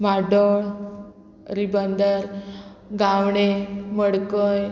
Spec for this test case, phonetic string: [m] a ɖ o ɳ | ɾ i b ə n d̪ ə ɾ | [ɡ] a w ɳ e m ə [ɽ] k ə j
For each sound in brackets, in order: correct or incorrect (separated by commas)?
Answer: correct, correct, correct